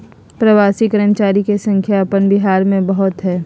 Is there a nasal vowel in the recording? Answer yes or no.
yes